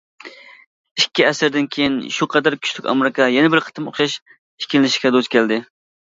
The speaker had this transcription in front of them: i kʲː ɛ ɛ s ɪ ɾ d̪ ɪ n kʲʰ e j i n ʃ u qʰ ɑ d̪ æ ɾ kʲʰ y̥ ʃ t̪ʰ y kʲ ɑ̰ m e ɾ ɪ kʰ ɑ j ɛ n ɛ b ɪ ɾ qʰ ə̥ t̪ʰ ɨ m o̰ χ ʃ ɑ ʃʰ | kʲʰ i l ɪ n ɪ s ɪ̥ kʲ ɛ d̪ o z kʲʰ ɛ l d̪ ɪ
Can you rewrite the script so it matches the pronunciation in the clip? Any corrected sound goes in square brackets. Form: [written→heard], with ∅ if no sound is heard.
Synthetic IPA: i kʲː [ɛ→i] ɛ s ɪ ɾ d̪ ɪ n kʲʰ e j i n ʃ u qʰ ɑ d̪ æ ɾ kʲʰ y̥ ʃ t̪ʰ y kʲ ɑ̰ m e ɾ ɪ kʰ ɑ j ɛ n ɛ b ɪ ɾ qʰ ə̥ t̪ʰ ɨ m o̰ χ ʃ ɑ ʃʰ | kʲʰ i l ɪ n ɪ [s→ʃ] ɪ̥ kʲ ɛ d̪ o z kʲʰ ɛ l d̪ ɪ